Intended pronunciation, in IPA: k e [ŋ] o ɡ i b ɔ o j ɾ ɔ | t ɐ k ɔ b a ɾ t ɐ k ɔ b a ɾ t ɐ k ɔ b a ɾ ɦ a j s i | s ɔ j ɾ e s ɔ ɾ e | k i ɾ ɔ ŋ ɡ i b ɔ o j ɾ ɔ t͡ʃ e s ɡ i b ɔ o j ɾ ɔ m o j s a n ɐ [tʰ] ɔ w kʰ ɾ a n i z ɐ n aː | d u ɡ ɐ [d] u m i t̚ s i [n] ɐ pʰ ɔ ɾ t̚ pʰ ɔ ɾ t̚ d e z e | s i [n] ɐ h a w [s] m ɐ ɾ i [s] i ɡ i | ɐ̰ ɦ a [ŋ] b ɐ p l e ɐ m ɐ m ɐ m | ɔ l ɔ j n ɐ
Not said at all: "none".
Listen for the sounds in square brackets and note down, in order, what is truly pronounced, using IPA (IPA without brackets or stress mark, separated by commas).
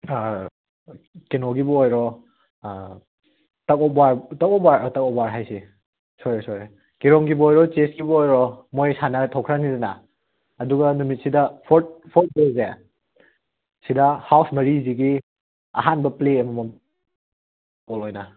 n, tʰ, n, d, d, s, z, n